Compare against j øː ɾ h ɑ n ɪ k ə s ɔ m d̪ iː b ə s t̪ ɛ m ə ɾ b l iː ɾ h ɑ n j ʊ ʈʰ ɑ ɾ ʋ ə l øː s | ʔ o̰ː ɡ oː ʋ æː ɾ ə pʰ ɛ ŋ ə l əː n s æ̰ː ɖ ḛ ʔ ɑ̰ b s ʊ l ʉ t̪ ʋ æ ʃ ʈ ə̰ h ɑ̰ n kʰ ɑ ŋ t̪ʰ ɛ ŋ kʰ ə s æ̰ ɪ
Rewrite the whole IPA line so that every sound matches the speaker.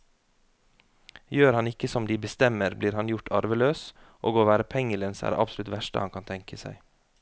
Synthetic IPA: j øː ɾ h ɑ n ɪ k ə s ɔ m d̪ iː b ə s t̪ ɛ m ə ɾ b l iː ɾ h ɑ n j ʊ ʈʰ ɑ ɾ ʋ ə l øː s | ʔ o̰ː ɡ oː ʋ æː ɾ ə pʰ ɛ ŋ ə l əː n s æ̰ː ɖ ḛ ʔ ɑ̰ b s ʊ l ʉ t̪ ʋ æ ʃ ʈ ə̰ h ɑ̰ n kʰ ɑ n t̪ʰ ɛ ŋ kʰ ə s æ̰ ɪ